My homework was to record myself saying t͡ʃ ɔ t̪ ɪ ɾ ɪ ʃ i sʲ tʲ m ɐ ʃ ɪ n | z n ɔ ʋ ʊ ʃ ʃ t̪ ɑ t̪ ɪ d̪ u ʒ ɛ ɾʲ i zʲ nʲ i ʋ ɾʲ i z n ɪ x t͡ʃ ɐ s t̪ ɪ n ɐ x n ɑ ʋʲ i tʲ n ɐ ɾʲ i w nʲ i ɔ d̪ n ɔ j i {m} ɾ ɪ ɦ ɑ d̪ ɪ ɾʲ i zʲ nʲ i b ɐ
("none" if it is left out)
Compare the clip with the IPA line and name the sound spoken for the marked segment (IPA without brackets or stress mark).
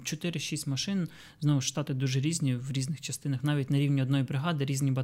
b